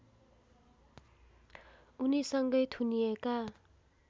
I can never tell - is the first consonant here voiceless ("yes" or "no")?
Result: no